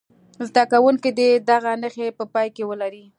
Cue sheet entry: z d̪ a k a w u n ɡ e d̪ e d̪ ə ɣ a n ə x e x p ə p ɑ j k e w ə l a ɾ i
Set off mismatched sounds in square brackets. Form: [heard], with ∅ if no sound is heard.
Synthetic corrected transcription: z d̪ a k a w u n [k] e d̪ e d̪ [a] ɣ a n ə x e [∅] p ə p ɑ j k e w ə l a ɾ i